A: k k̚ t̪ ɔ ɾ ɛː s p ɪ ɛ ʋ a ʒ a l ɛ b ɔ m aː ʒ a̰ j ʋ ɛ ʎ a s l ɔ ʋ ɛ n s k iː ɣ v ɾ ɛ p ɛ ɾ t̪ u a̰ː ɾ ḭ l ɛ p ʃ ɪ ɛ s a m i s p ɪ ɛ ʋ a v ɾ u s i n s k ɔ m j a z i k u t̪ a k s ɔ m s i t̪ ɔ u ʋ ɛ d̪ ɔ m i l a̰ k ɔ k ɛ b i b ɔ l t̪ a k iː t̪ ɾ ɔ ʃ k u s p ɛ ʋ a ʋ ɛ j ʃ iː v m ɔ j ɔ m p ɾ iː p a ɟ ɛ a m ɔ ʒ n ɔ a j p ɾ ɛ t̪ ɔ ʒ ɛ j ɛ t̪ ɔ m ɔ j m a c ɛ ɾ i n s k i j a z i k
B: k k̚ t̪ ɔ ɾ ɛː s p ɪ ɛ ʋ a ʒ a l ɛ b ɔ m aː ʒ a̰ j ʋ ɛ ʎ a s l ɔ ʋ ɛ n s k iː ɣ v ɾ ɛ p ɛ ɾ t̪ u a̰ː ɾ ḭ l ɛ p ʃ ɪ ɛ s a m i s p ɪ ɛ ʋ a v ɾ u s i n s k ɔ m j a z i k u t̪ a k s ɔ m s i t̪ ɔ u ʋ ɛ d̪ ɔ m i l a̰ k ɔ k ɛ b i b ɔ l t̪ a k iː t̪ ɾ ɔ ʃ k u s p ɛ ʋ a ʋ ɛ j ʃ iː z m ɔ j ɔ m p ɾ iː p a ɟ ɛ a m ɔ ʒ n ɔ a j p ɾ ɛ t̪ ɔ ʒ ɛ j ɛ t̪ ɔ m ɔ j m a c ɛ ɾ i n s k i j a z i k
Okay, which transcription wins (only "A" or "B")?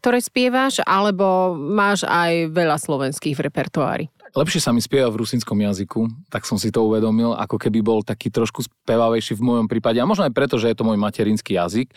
A